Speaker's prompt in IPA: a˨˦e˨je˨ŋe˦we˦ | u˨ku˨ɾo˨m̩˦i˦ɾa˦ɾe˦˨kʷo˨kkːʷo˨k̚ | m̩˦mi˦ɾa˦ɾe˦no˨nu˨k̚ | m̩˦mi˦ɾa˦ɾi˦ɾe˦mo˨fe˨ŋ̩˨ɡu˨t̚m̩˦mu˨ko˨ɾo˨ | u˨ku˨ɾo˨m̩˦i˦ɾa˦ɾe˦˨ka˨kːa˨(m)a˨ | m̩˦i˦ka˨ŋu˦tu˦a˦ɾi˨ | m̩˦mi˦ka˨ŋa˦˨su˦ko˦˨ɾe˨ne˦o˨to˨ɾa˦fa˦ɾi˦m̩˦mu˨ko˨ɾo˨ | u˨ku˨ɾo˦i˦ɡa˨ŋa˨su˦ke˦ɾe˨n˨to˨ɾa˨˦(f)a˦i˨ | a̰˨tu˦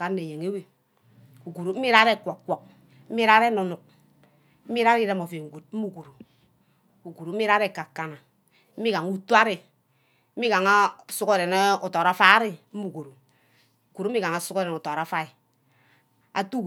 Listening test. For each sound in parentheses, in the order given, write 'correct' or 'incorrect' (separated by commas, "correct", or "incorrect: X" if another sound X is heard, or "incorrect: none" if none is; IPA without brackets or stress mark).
incorrect: n, correct